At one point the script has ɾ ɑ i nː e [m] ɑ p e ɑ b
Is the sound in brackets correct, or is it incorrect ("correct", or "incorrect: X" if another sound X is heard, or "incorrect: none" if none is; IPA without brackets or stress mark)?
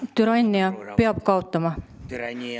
incorrect: none